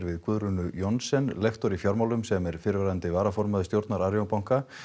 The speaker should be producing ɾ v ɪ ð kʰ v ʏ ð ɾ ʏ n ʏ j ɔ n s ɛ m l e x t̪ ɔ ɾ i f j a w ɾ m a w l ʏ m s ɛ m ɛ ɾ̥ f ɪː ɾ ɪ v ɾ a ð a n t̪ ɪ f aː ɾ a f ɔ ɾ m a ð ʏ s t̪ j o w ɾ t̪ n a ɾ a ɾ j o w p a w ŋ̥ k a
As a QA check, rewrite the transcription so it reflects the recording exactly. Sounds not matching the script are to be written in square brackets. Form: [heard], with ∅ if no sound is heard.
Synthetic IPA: ɾ v ɪ ð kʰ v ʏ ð ɾ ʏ n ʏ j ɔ n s ɛ [n] l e x t̪ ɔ ɾ i f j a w ɾ m a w l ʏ m s ɛ m ɛ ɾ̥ f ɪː ɾ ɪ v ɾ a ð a n t̪ ɪ [v] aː ɾ a f ɔ ɾ m a ð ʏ s t̪ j o w ɾ t̪ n a ɾ a ɾ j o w p a w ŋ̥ k a

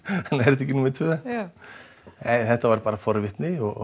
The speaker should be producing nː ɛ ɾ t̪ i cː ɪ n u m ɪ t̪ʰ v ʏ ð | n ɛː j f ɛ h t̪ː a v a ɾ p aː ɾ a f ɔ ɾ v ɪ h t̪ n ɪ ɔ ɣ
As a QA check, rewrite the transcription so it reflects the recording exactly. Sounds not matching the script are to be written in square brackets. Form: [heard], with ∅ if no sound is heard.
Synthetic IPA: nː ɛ ɾ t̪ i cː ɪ n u m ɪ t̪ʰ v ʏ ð | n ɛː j [θ] ɛ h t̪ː a v a ɾ p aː ɾ a f ɔ ɾ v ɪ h t̪ n ɪ ɔ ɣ

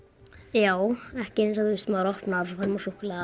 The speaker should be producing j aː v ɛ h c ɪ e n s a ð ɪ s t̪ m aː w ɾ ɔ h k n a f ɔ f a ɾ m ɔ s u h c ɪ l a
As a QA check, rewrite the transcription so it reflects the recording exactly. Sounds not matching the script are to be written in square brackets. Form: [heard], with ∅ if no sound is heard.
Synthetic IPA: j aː [w] ɛ h c ɪ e n s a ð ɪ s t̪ m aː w ɾ ɔ h [p] n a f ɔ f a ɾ m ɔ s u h [k] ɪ l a

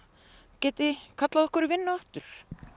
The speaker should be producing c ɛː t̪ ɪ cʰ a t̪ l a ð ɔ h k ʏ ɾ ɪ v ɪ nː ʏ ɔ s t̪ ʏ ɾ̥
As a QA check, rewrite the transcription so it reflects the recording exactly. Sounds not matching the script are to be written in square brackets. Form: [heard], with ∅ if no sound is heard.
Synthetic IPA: c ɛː t̪ ɪ [kʰ] a t̪ l a ð ɔ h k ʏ ɾ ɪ v ɪ nː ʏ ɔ [h] t̪ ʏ ɾ̥

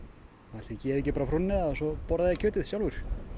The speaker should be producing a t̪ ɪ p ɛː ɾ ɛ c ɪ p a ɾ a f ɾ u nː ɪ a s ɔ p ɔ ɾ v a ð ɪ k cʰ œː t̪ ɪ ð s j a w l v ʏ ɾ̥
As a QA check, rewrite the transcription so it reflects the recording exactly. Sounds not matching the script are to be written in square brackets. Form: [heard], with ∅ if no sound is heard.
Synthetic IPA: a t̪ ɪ [c] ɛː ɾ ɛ c ɪ p a ɾ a f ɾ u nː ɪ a s ɔ p ɔ ɾ [ð] a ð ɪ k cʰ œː t̪ ɪ ð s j a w l v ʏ ɾ̥

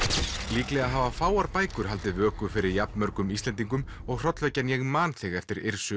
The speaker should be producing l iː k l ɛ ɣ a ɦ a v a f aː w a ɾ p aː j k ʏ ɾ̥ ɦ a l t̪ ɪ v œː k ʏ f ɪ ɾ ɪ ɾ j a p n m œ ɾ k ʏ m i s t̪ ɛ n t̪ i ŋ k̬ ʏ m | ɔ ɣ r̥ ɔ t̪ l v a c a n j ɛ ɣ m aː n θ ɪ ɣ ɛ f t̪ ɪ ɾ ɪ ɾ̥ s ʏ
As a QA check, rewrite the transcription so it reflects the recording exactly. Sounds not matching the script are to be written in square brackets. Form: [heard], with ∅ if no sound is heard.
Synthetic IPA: l iː k l ɛ ɣ a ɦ a v a f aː w a ɾ p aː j k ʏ ɾ̥ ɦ a l t̪ ɪ v œː k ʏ f ɪ ɾ ɪ ɾ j a p n m œ ɾ k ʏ m i s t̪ ɛ n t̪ i ŋ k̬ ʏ m | ɔ ɣ r̥ ɔ t̪ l v [ɛ] c a n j ɛ ɣ m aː n θ ɪ ɣ ɛ f t̪ ɪ ɾ ɪ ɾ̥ s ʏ

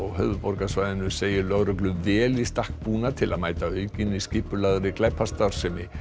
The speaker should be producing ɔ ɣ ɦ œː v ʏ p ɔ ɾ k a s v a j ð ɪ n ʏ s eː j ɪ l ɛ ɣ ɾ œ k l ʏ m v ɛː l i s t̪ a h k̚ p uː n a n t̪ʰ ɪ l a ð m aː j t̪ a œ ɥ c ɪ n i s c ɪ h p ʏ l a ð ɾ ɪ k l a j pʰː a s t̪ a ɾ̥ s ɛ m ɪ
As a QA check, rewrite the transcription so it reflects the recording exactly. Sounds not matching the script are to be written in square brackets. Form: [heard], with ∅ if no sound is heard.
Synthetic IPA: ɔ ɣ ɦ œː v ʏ p ɔ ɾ k a s v a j ð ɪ n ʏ s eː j ɪ l [œ] ɣ ɾ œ k l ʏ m v ɛː l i s t̪ a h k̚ p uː n a [∅] t̪ʰ ɪ l a ð m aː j t̪ a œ ɥ c ɪ n i s c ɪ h p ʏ l a ð ɾ ɪ k l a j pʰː a s t̪ a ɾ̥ s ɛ m ɪ

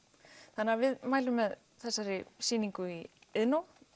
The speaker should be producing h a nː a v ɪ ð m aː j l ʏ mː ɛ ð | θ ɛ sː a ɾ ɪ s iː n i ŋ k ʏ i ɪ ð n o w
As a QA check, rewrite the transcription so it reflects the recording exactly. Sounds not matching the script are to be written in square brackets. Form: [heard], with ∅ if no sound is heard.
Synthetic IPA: [θ] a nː a v ɪ ð m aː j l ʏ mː ɛ ð | θ ɛ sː a ɾ ɪ s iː n i ŋ k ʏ i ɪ ð n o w

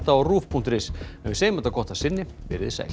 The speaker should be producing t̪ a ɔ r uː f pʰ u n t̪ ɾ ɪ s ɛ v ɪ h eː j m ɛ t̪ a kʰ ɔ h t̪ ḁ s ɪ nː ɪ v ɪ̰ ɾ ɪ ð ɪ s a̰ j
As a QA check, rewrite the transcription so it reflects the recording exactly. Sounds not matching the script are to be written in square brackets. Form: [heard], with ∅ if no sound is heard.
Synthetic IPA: t̪ a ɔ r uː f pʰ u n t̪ ɾ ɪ s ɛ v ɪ [s] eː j m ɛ t̪ a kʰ ɔ h t̪ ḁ s ɪ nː ɪ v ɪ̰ ɾ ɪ ð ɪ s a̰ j

